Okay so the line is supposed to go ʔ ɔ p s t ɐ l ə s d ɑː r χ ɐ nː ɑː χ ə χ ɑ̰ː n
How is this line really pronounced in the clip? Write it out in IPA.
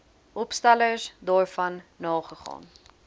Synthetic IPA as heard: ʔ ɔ p s t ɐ l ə s d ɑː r f ɐ nː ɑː χ ə χ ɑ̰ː n